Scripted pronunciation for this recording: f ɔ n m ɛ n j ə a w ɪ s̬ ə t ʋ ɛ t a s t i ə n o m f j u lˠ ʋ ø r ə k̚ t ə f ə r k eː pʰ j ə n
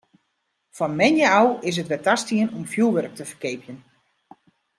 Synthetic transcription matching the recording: f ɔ n m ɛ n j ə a w ɪ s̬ ə t ʋ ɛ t a s t i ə n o m f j u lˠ ʋ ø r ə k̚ t ə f ə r k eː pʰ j ə n